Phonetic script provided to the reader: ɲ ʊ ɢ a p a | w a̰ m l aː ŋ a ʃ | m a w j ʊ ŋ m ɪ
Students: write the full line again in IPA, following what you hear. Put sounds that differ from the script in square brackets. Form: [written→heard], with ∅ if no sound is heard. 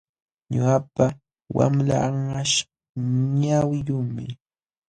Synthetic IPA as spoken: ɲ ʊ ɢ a p a | w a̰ m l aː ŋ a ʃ | [m→ɲ] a w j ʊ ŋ m ɪ